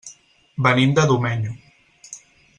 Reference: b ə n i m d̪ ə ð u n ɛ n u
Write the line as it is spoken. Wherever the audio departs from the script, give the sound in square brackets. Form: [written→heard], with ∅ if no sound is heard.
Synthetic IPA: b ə n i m d̪ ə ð u [n→m] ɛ [n→ɲ] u